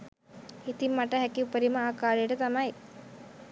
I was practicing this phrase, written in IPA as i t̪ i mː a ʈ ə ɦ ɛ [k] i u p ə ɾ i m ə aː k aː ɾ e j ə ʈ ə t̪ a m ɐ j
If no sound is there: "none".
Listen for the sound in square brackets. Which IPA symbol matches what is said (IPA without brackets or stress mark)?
k